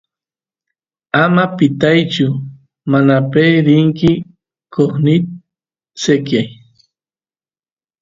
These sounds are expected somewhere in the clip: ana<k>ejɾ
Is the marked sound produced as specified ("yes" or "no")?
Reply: no